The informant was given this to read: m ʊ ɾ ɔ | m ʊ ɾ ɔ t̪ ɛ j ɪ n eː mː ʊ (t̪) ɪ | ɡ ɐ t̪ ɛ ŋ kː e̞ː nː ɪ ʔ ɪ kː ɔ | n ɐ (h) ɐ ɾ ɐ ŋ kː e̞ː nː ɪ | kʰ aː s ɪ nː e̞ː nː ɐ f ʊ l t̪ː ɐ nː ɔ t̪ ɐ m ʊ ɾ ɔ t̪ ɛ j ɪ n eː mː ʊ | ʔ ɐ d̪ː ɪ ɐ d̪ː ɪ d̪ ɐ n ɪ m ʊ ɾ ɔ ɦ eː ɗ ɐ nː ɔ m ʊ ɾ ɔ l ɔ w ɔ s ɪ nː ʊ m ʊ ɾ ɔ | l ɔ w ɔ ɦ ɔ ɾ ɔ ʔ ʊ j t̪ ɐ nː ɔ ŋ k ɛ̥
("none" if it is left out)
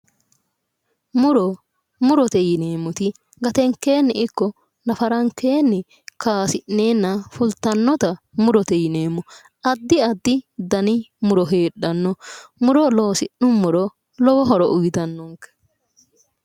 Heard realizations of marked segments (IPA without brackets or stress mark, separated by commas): t̪, f